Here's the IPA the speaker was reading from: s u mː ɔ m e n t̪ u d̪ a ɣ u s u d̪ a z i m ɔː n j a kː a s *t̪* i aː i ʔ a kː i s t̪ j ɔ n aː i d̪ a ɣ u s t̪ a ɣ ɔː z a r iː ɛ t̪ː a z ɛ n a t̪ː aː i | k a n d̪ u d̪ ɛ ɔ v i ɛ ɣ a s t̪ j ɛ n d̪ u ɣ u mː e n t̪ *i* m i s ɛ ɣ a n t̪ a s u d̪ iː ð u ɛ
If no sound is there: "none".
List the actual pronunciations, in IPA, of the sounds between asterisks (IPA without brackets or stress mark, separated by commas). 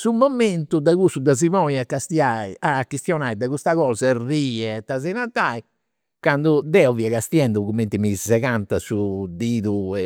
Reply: t̪, i